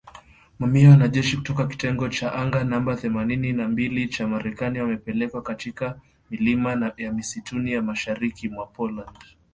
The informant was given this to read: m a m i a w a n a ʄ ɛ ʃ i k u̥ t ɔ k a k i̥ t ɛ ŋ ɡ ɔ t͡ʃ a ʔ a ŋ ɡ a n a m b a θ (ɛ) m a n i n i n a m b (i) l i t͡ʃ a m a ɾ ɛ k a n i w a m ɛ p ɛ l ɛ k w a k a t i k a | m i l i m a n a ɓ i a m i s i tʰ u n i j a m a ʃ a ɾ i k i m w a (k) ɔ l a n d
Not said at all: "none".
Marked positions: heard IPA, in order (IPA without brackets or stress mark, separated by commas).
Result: ɛ, i, p